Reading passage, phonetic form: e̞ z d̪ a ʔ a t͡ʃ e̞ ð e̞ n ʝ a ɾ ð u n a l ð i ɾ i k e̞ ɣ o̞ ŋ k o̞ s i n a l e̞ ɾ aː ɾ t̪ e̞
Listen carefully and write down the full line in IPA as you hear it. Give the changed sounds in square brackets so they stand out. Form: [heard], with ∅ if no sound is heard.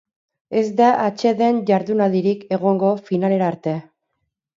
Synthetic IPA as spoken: e̞ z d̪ a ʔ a t͡ʃ e̞ ð e̞ n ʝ a ɾ ð u n a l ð i ɾ i k e̞ ɣ o̞ ŋ [ɡ] o̞ [f] i n a l e̞ ɾ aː ɾ t̪ e̞